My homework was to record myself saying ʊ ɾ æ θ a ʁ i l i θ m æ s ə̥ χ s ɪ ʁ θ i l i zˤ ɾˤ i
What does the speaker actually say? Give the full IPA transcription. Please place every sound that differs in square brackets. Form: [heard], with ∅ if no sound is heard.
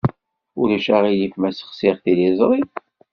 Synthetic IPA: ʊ ɾ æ [ʃ] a ʁ i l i [f] m æ s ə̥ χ s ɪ ʁ θ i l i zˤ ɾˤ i